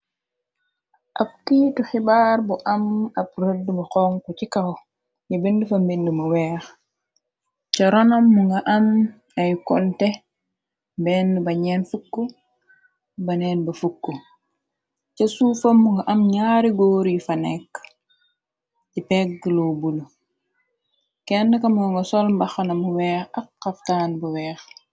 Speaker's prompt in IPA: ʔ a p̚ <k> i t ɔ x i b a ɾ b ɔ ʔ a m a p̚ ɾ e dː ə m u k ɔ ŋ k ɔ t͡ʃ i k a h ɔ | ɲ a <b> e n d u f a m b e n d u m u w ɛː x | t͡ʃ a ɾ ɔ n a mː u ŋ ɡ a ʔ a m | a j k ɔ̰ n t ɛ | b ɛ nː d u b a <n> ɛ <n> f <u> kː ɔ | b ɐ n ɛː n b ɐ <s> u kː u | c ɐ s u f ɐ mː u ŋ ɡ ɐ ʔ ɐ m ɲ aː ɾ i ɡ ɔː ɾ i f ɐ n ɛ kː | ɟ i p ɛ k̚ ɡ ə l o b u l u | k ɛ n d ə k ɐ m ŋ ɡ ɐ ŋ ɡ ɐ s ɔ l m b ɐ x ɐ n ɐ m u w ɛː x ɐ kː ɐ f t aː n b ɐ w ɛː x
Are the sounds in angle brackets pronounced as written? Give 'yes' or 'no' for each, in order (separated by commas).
yes, yes, no, yes, yes, no